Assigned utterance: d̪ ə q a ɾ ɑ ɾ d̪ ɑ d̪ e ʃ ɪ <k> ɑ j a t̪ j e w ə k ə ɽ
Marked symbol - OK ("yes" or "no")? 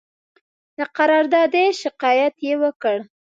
no